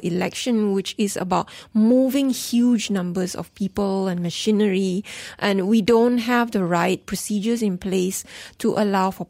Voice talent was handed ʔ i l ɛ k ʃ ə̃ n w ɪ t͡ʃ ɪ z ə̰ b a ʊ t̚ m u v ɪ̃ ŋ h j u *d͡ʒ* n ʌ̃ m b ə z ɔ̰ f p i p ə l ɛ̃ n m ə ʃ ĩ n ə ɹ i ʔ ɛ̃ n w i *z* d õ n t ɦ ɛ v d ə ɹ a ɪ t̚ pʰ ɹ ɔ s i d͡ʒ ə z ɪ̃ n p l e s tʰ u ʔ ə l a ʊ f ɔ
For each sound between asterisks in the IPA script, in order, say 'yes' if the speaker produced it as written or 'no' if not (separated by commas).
yes, no